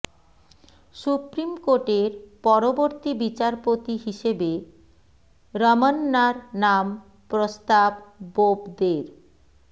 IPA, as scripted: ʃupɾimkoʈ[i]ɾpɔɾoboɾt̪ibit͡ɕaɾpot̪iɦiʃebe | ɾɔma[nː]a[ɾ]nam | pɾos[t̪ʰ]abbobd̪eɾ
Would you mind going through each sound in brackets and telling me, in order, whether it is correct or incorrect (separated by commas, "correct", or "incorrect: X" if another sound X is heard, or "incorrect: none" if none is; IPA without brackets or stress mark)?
incorrect: e, correct, correct, incorrect: t̪